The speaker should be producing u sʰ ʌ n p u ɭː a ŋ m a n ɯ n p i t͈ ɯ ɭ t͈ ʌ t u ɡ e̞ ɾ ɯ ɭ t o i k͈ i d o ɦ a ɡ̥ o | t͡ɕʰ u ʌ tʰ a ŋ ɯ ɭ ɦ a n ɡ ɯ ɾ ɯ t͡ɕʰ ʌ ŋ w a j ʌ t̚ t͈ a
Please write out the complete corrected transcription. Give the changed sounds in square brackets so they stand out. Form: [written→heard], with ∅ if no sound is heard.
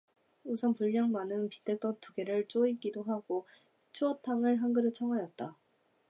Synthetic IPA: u sʰ ʌ n p u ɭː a ŋ m a n ɯ n p i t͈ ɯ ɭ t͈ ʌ t u ɡ e̞ ɾ ɯ ɭ [t→t͡ɕ͈] o i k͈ i d o ɦ a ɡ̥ o | t͡ɕʰ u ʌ tʰ a ŋ ɯ ɭ ɦ a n ɡ ɯ ɾ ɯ t͡ɕʰ ʌ ŋ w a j ʌ t̚ t͈ a